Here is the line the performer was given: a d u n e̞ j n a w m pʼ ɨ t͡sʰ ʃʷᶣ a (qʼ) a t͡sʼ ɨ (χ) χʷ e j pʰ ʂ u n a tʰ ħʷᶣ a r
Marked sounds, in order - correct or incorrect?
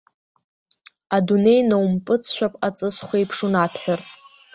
incorrect: pʼ, incorrect: s

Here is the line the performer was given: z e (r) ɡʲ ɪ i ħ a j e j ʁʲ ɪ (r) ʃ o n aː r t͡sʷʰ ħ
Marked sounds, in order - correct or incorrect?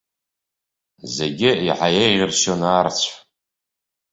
incorrect: none, correct

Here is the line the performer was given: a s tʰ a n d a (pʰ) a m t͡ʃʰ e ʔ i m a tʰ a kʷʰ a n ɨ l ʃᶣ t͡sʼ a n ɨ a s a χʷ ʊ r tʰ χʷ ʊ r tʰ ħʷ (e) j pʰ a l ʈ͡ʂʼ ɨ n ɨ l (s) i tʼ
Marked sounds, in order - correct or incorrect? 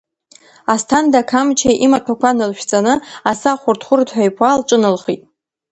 incorrect: kʰ, incorrect: a, incorrect: χ

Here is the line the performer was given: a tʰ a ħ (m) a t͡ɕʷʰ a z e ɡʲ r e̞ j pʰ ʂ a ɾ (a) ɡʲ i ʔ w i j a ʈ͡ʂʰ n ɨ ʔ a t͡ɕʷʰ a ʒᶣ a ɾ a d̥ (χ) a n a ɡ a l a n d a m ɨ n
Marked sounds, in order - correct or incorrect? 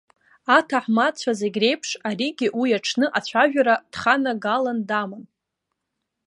correct, incorrect: i, correct

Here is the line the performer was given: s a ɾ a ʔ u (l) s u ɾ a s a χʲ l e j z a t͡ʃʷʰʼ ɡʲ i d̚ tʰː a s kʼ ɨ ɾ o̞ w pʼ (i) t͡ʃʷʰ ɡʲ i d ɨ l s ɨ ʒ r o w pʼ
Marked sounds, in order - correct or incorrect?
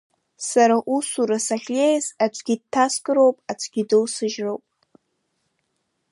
incorrect: none, incorrect: a

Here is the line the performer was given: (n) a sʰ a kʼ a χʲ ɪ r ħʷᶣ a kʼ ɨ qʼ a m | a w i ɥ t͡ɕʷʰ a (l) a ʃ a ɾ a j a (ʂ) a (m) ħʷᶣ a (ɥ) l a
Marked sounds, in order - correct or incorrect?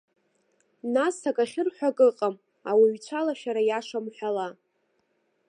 correct, correct, correct, correct, incorrect: none

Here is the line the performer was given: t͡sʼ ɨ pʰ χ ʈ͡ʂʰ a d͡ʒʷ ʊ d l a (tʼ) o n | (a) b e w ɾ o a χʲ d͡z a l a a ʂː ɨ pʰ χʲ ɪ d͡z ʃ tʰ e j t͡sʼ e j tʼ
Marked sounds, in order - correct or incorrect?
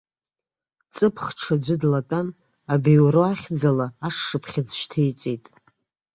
correct, correct

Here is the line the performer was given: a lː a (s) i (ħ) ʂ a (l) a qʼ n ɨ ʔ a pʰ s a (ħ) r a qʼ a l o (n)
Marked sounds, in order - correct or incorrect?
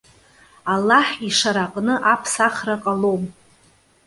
incorrect: ħ, incorrect: none, incorrect: ɾ, incorrect: χ, incorrect: m

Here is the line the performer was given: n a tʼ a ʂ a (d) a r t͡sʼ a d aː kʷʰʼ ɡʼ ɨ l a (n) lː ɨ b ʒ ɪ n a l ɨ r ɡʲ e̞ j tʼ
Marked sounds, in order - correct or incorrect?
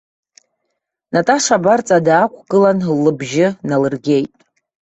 incorrect: b, correct

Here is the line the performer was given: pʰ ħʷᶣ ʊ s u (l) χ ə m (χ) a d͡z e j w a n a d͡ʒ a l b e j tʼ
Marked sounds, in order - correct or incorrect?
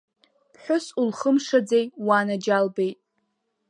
correct, incorrect: ʂ

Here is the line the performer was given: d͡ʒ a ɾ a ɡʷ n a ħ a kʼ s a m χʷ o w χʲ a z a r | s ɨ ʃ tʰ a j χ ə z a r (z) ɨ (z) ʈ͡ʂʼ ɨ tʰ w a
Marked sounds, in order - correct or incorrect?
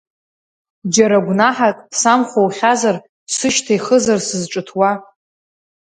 incorrect: s, correct

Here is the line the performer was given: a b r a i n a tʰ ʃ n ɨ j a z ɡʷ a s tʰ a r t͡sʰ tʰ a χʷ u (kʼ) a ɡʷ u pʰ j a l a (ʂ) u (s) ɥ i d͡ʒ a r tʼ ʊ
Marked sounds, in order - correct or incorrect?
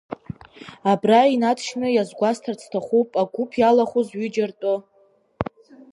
incorrect: pʼ, incorrect: χ, incorrect: z

